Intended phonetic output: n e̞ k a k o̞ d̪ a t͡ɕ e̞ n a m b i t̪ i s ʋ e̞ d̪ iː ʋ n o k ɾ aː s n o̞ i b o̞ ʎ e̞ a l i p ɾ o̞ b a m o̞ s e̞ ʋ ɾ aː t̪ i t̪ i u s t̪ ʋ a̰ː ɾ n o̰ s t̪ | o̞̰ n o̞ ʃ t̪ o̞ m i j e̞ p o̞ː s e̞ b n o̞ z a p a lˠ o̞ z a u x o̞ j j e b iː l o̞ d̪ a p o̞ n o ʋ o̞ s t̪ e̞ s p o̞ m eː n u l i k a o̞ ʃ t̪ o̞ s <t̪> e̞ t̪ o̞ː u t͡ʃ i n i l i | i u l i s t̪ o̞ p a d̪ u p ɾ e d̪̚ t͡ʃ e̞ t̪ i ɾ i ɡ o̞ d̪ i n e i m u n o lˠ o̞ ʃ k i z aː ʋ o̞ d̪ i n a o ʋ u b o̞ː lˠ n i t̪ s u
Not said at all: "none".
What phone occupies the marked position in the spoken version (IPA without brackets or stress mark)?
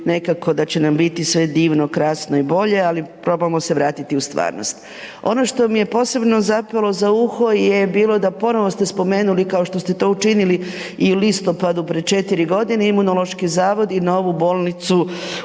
t̪